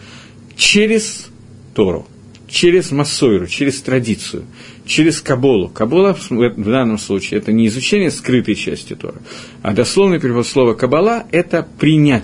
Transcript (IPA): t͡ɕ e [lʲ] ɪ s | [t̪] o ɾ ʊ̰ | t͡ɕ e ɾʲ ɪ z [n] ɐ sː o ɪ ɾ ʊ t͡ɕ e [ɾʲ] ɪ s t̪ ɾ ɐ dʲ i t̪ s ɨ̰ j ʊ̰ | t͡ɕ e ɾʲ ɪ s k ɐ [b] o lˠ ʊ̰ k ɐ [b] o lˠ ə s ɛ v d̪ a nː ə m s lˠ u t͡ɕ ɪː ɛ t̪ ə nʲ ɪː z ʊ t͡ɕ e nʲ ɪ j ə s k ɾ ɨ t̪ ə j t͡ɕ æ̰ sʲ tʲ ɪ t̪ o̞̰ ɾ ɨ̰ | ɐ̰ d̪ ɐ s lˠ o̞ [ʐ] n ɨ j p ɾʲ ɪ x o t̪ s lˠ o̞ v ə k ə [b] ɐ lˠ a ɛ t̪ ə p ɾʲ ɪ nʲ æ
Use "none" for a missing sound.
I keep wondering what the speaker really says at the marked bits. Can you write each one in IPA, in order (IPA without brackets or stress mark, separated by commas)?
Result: ɾʲ, t̪, m, ɾʲ, b, b, v, b